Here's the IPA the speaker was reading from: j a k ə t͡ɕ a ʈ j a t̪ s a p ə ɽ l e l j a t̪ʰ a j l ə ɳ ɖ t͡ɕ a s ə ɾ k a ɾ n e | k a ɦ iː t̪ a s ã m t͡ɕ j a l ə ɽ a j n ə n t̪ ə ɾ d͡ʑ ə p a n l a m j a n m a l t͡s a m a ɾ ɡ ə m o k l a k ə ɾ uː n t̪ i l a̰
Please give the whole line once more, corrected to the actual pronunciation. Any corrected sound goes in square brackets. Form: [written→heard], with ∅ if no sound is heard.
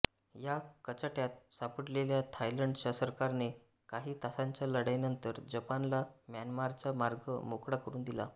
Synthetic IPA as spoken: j a k ə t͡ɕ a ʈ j a t̪ s a p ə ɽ l e l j a t̪ʰ a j l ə ɳ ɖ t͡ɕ a s ə ɾ k a ɾ n e | k a ɦ iː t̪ a s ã [m→ɲ] t͡ɕ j a l ə ɽ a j n ə n t̪ ə ɾ d͡ʑ ə p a n l a m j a n m a [l→ɾ] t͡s a m a ɾ ɡ ə m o k [l→ɽ] a k ə ɾ uː n [t̪→d̪] i l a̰